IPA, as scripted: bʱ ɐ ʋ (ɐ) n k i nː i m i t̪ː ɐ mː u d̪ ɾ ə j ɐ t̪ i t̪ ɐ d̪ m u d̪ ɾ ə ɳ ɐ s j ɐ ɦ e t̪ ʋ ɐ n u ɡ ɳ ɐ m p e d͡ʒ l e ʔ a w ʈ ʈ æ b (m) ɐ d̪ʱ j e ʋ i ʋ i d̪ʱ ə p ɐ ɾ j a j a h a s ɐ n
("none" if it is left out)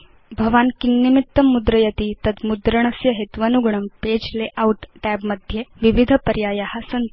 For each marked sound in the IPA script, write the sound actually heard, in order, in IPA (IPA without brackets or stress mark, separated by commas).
a, m